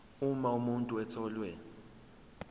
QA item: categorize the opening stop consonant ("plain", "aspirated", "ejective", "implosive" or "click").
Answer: ejective